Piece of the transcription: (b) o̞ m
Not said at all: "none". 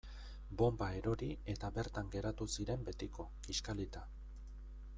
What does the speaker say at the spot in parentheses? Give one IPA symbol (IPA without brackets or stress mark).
b